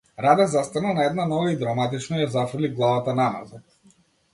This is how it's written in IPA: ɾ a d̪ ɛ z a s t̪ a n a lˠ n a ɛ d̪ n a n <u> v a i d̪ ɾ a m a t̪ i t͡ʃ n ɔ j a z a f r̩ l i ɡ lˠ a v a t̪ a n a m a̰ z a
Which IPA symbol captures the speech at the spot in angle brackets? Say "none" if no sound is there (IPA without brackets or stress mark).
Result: ɔ